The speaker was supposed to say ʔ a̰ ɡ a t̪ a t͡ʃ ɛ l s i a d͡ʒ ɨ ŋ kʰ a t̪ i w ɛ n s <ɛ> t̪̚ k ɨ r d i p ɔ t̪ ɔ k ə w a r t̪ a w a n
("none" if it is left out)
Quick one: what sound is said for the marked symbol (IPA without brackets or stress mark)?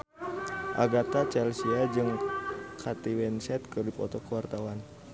ɛ